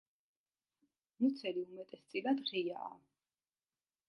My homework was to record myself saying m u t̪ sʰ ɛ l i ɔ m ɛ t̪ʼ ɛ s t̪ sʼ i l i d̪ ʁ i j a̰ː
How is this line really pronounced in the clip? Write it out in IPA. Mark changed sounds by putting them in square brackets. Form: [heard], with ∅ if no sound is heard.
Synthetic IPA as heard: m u t̪ sʰ ɛ l i [u] m ɛ t̪ʼ ɛ s t̪ sʼ i l [a] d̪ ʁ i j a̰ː